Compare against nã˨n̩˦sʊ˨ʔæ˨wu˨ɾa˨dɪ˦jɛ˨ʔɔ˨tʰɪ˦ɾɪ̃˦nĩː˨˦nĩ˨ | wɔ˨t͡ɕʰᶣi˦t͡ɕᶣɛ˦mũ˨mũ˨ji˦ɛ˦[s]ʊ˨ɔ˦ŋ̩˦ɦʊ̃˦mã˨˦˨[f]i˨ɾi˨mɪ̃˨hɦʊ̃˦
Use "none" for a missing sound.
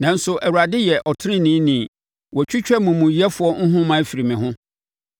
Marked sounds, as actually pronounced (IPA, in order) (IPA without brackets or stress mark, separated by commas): f, f